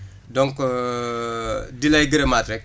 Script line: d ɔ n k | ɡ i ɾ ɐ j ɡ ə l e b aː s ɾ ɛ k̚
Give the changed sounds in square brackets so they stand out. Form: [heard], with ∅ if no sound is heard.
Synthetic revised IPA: d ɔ [ŋ] k | [d] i [l] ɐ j ɡ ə [ɾ] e [m] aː [t] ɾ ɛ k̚